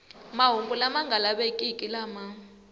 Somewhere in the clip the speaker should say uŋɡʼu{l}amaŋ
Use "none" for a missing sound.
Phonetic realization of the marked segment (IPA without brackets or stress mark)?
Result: l